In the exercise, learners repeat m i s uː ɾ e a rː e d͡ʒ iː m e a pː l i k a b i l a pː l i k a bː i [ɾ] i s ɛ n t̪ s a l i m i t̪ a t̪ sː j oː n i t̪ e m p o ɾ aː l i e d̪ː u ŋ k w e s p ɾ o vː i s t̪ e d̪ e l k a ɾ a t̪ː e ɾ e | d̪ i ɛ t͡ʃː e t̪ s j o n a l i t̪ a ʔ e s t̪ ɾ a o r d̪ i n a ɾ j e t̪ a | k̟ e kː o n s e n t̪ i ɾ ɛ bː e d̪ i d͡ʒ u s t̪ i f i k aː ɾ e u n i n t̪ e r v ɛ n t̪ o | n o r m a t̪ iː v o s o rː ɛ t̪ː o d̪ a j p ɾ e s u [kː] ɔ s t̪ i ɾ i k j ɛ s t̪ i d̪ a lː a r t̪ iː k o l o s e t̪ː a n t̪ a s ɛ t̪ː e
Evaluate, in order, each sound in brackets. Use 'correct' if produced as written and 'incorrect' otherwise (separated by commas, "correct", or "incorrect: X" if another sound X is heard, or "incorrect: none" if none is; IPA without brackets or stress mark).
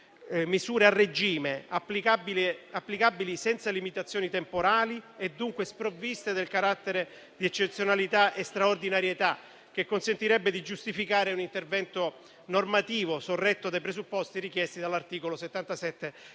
incorrect: l, incorrect: pː